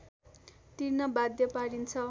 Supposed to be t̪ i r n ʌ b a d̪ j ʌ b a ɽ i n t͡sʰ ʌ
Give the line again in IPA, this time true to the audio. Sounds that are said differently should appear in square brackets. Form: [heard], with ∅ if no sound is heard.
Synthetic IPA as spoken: t̪ i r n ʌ b a d̪ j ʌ [p] a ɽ i n t͡sʰ ʌ